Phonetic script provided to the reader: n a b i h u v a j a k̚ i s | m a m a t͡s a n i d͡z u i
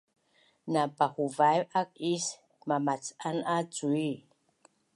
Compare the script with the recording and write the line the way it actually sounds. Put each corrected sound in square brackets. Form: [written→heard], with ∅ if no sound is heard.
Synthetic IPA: n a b [i→a] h u v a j a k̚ i s | m a m a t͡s a n [i→a] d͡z u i

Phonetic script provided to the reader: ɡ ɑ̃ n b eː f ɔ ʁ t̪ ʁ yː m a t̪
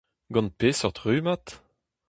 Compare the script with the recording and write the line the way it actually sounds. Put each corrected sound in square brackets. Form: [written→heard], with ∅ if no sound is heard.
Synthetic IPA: ɡ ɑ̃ n [b→p] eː [f→s] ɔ ʁ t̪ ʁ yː m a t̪

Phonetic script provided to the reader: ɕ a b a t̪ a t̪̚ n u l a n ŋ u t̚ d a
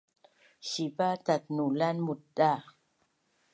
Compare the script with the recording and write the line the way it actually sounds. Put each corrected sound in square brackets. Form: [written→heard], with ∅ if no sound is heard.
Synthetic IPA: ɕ [a→i] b a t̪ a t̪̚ n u l a n [ŋ→m] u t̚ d a

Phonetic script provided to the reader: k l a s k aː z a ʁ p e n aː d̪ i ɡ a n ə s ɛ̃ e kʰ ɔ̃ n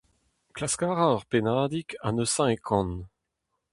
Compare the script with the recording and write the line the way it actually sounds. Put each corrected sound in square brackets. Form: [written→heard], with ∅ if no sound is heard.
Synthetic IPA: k l a s k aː [z→ʁ] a ʁ p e n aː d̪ i [ɡ→k] a n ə s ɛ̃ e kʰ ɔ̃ n

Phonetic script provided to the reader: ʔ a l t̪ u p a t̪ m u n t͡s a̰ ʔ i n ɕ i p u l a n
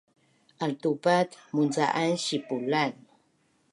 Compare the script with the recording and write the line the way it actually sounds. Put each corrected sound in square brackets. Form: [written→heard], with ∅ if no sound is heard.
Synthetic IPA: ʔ a l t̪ u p a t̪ m u n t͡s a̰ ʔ [i→a] n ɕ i p u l a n

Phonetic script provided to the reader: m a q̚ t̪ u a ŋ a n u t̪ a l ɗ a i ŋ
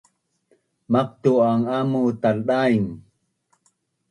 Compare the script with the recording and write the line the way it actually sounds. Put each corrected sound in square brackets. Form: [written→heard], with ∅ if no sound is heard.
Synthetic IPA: m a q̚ t̪ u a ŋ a [n→m] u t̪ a l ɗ a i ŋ

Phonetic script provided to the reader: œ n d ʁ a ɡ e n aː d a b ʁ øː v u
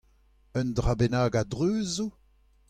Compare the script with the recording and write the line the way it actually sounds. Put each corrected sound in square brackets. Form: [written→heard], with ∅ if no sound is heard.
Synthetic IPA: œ n d ʁ a [ɡ→b] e n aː [d→ɡ] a [b→d] ʁ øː [v→z] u

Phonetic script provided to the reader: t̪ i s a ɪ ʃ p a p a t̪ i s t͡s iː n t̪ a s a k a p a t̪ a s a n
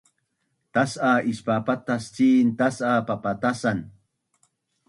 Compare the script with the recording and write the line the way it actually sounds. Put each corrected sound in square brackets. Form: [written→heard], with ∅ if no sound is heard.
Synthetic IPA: t̪ [i→a] s a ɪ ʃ p a p a t̪ [i→a] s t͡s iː n t̪ a s a [k→p] a p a t̪ a s a n

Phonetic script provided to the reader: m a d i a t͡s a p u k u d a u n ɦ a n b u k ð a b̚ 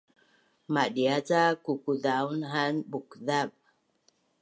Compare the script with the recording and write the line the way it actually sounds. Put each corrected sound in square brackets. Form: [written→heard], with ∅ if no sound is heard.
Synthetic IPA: m a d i a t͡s a [p→k] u k u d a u n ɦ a n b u k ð a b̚

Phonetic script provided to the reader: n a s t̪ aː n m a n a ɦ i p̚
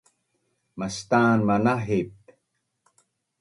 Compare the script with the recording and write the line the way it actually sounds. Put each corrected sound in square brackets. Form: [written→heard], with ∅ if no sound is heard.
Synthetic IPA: [n→m] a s t̪ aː n m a n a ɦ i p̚

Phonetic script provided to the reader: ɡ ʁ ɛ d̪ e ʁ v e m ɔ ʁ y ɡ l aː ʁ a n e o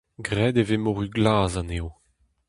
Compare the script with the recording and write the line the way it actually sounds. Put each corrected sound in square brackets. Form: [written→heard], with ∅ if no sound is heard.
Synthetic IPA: ɡ ʁ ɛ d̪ e [ʁ→∅] v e m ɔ ʁ y ɡ l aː [ʁ→z] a n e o

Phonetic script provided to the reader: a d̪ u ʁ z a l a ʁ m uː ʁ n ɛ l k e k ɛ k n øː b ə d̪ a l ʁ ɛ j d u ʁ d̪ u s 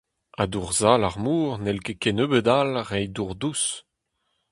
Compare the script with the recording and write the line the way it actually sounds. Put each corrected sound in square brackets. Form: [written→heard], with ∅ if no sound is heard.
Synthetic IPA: a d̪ u ʁ z a l a ʁ m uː ʁ n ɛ l k e k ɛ [k→∅] n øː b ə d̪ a l ʁ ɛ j d u ʁ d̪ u s

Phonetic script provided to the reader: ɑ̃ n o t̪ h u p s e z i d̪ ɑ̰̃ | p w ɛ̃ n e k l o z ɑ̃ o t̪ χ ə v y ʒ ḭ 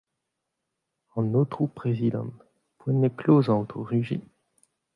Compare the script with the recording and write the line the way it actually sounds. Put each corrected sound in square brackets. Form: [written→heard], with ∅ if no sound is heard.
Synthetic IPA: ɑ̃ n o t̪ [h→χ] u p [s→χ] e z i d̪ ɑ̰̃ | p w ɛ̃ n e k l o z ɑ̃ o t̪ χ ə [v→ʁ] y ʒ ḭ

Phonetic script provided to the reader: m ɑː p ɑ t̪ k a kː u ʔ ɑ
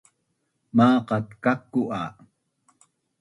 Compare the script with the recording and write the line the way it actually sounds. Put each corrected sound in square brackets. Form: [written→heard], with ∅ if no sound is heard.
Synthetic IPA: m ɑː [p→q] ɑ t̪ k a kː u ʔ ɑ

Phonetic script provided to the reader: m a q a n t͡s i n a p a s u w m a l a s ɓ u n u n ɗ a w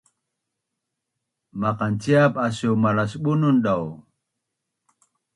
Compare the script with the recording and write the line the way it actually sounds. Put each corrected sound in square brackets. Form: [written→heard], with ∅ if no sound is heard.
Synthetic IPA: m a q a n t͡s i [n→∅] a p a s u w m a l a s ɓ u n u n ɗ a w

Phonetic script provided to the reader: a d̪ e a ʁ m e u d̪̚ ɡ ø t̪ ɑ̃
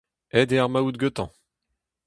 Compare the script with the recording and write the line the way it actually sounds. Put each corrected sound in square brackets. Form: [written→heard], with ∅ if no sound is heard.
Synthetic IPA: [a→ɛ] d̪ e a ʁ m [e→a] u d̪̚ ɡ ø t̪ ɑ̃

